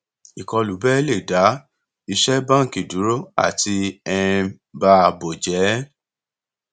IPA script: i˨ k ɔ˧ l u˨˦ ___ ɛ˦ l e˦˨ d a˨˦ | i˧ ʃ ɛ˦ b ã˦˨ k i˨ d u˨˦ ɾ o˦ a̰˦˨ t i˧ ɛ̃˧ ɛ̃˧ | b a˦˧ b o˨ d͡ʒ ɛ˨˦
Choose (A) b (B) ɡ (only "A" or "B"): A